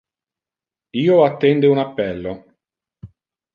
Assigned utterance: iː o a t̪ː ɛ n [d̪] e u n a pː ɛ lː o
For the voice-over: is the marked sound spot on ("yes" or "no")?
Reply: yes